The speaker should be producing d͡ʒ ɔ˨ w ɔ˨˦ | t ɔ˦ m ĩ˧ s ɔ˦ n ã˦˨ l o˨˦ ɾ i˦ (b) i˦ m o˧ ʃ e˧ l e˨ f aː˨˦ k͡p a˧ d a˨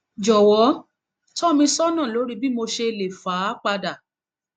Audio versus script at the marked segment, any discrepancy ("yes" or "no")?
no